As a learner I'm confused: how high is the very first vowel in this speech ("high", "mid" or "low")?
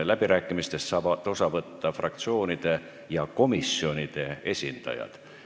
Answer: low